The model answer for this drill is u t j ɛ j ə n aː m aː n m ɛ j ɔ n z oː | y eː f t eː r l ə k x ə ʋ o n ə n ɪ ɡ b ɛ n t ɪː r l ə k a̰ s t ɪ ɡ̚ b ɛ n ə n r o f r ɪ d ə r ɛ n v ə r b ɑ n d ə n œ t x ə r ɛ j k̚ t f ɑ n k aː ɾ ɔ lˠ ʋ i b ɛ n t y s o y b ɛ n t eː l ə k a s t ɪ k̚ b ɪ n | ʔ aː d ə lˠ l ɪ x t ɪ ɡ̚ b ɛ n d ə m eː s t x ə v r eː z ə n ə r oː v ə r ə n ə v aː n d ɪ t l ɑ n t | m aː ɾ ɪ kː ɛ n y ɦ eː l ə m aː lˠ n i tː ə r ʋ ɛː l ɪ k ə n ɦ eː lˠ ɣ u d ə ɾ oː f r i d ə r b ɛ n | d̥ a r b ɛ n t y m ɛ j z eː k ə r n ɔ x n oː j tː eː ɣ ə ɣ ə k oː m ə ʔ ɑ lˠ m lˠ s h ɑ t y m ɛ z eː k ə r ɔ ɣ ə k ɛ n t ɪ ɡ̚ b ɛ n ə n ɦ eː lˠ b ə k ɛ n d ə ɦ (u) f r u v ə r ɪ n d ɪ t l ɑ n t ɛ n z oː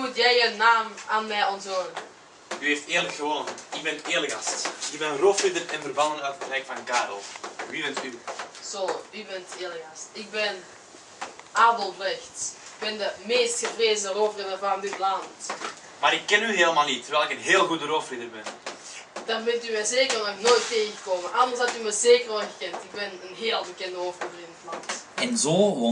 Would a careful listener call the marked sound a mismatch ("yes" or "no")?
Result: yes